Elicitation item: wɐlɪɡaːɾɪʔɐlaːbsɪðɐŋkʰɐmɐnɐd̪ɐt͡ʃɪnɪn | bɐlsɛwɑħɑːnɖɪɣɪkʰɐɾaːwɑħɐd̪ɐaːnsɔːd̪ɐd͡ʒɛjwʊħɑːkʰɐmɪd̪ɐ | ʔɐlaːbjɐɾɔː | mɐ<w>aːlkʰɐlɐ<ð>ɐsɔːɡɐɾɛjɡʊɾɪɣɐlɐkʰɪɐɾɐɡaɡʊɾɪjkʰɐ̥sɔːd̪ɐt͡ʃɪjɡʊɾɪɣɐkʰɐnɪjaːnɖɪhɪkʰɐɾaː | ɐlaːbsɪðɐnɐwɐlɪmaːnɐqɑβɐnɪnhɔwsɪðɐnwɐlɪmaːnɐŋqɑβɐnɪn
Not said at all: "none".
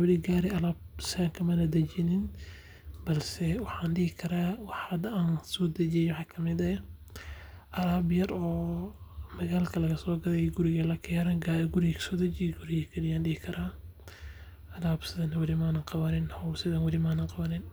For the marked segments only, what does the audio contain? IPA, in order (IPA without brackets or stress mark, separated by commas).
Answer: ɣ, ɣ